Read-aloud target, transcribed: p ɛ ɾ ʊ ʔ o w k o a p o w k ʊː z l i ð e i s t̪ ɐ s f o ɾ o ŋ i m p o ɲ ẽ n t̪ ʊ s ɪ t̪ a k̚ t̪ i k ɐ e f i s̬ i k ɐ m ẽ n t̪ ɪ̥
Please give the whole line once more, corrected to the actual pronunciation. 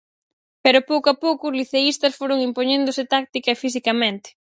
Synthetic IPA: p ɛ ɾ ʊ p o w k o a p o w k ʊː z l i θ e i s t̪ ɐ s f o ɾ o ŋ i m p o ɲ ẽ n d̪ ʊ s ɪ t̪ a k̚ t̪ i k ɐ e f i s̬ i k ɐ m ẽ n t̪ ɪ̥